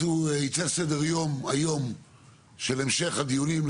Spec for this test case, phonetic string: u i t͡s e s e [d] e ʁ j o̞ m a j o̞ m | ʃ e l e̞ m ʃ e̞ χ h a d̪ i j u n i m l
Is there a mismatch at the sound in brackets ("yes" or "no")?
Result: no